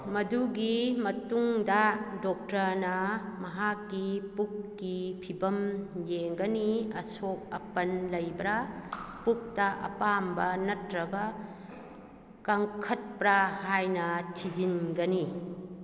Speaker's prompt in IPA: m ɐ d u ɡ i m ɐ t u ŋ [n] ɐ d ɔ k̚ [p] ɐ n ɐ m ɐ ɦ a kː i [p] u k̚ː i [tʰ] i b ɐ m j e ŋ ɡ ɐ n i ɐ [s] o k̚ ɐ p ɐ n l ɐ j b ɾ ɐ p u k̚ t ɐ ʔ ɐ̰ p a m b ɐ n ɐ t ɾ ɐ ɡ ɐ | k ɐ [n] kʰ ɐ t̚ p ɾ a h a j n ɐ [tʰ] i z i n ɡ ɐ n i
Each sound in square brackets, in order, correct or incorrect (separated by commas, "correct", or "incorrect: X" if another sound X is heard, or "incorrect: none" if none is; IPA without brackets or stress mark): incorrect: d, incorrect: t, correct, incorrect: pʰ, correct, incorrect: ŋ, correct